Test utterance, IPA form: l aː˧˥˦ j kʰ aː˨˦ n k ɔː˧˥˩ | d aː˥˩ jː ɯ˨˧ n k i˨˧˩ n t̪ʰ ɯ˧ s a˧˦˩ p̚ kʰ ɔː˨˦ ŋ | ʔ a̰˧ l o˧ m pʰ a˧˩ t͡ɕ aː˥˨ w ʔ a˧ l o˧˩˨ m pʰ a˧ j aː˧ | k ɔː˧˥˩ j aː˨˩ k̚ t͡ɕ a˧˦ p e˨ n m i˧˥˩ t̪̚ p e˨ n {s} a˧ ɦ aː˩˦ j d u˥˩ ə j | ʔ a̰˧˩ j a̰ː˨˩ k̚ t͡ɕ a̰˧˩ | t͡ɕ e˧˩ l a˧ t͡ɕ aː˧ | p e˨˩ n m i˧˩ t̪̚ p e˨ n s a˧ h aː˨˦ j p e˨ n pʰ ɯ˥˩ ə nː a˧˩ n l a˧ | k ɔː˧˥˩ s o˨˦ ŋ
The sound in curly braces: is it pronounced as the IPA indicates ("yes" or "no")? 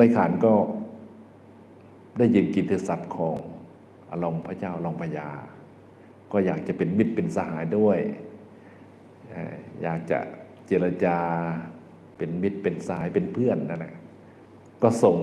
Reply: yes